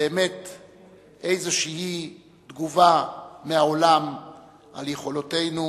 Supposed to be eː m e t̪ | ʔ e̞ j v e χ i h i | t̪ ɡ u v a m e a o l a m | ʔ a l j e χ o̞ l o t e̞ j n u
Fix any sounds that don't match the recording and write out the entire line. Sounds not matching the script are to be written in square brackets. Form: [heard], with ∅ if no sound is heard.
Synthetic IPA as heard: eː m e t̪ | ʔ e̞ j [z] e [ʃ] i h i | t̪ ɡ u v a m e a o l a m | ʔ a l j e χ o̞ l o t e̞ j n u